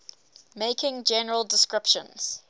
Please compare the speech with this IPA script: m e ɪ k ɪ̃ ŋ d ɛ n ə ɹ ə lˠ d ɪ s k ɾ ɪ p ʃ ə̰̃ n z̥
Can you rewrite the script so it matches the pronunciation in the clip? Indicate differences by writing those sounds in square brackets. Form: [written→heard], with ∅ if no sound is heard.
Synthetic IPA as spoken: m e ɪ k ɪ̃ ŋ [d→d͡ʒ] ɛ n ə ɹ ə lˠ d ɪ s k [ɾ→ɹ] ɪ p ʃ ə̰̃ n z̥